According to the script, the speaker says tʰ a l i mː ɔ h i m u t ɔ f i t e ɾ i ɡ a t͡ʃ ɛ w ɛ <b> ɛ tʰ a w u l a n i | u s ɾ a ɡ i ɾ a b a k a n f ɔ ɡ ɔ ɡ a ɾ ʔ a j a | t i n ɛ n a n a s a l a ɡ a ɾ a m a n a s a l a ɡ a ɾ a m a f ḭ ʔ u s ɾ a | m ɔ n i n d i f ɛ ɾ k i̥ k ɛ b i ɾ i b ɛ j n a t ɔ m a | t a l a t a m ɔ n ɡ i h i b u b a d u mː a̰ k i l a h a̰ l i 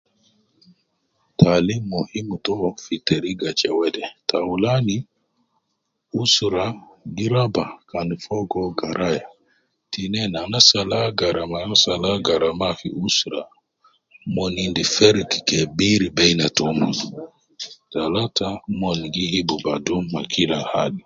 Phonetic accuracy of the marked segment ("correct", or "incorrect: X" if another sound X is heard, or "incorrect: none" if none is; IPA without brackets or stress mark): incorrect: d